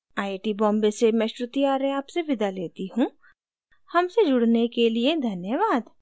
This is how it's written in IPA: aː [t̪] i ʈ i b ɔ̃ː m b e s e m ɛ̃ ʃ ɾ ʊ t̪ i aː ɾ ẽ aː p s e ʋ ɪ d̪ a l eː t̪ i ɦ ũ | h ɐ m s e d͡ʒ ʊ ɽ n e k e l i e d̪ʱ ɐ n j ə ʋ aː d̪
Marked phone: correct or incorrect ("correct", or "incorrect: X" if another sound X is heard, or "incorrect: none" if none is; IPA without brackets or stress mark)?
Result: incorrect: none